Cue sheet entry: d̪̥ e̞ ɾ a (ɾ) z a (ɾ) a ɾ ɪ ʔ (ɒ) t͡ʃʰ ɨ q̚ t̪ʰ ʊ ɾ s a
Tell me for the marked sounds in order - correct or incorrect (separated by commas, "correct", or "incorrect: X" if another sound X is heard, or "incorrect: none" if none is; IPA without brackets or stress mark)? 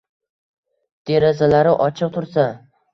incorrect: none, incorrect: l, correct